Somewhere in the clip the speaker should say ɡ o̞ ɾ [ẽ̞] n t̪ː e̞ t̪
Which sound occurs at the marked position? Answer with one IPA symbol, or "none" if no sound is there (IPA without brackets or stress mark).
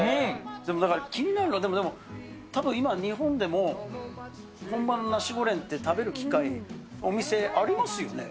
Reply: ẽ̞